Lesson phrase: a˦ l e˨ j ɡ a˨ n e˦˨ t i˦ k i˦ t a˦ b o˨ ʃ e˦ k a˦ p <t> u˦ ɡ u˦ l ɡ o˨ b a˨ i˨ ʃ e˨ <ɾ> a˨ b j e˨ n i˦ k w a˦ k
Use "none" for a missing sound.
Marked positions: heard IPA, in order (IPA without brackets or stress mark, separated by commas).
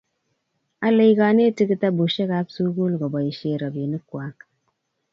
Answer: s, ɾ